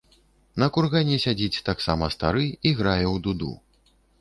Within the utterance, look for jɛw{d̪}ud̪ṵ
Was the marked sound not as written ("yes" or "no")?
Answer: no